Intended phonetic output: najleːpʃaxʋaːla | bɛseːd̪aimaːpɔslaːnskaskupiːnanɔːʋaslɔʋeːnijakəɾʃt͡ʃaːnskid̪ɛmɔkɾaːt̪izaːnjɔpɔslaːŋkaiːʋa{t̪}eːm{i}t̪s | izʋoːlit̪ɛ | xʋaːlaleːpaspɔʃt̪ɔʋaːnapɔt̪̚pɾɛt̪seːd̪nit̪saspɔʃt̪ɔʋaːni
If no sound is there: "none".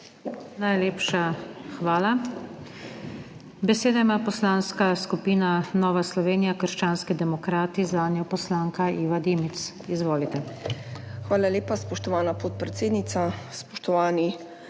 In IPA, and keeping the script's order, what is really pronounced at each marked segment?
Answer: d̪, i

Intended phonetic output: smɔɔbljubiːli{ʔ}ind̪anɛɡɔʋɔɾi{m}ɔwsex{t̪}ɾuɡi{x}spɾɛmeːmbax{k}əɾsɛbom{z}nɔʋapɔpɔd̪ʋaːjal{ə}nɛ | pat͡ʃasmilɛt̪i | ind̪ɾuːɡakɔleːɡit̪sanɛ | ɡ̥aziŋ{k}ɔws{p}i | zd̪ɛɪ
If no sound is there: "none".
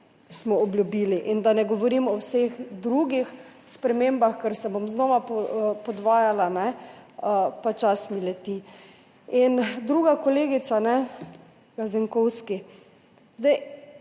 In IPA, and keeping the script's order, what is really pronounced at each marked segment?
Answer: ʔ, m, d̪, x, k, z, a, k, k

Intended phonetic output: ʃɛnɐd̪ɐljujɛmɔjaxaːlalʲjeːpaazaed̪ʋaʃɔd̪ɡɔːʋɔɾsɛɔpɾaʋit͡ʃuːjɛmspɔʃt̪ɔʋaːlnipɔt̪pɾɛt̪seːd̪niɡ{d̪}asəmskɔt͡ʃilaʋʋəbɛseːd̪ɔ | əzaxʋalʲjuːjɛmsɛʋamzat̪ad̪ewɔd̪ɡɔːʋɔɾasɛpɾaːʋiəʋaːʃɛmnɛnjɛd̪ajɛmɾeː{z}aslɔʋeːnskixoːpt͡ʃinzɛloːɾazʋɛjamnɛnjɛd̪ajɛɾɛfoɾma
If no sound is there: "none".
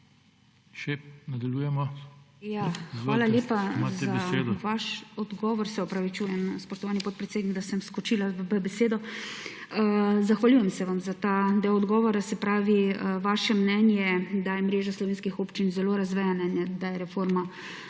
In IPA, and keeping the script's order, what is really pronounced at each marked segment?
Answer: d̪, ʒ

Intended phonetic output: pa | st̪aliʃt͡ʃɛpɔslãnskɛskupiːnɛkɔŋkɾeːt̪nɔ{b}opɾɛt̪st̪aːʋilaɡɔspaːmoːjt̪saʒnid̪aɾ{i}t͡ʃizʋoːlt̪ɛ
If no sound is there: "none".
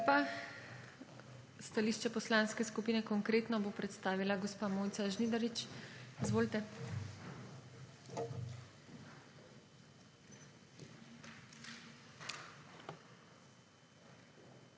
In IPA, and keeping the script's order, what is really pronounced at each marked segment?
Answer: b, i

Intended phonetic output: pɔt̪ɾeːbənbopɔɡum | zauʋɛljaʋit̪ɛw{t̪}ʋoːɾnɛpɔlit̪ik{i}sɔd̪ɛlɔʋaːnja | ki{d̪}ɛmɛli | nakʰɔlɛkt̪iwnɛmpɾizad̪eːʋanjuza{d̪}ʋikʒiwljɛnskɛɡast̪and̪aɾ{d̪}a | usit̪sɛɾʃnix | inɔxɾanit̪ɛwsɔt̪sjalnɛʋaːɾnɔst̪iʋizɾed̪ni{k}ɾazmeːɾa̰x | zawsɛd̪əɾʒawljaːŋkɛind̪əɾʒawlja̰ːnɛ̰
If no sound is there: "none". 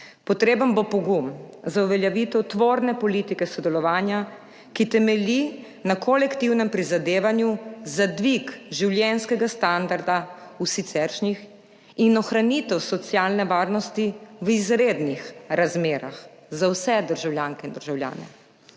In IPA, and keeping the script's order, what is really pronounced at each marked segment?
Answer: t̪, ɛ, t̪, d̪, d̪, x

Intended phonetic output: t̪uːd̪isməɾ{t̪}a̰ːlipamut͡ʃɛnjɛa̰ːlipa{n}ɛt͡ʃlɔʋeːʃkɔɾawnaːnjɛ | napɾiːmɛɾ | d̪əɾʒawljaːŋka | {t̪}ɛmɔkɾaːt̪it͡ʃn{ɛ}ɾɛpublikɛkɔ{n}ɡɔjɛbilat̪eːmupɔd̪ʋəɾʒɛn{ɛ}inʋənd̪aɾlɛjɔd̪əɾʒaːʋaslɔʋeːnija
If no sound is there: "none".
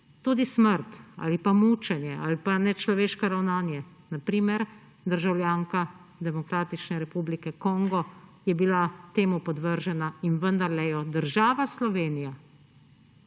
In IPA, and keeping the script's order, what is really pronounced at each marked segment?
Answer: t̪, n, d̪, ɛ, ŋ, a

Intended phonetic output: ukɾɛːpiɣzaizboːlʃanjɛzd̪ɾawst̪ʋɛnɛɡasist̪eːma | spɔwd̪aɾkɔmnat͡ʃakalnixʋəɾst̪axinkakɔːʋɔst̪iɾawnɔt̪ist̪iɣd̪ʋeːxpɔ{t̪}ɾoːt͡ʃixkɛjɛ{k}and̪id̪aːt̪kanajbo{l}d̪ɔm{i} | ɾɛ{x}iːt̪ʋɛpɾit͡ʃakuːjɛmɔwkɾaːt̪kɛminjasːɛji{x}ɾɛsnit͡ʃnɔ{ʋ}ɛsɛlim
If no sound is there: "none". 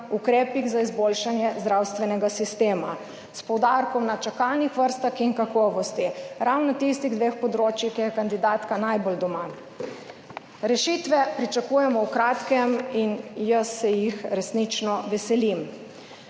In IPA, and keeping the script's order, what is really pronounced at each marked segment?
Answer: d̪, k, l, a, ʃ, x, ʋ

